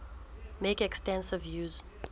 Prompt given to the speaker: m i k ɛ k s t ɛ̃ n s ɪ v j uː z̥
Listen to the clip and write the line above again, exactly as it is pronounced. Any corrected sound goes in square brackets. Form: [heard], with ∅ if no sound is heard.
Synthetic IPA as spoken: m [e] k ɛ k s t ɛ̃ n s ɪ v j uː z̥